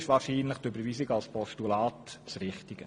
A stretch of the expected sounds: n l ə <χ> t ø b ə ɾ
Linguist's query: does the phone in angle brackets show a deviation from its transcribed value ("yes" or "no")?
no